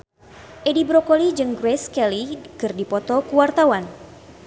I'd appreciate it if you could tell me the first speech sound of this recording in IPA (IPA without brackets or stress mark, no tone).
ʔ